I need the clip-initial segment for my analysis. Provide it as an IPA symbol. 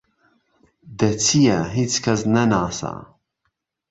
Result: d̪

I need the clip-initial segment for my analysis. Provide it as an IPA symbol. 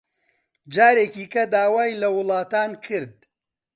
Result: d͡ʒ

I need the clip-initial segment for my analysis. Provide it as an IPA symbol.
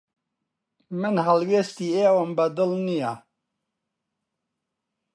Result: m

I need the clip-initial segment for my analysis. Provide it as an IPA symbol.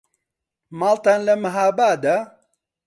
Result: m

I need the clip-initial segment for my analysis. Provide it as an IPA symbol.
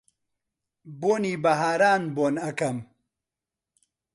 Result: b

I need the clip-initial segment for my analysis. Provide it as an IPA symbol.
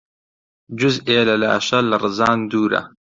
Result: d͡ʒ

